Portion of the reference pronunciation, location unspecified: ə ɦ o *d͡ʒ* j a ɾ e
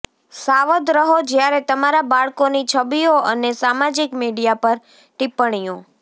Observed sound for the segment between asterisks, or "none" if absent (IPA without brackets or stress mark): d͡ʒ